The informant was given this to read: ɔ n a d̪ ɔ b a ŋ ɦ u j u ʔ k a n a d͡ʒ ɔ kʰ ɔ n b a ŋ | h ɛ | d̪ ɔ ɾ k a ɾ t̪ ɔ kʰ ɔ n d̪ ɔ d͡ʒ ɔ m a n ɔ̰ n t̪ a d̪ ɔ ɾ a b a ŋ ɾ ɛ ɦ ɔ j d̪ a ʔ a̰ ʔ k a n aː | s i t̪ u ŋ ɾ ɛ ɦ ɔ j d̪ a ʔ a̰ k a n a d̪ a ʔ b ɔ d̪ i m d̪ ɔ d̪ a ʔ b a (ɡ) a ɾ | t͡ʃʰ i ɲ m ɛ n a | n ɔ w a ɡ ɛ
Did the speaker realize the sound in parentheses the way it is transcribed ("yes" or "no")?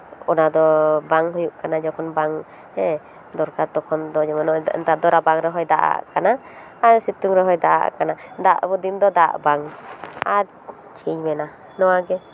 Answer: no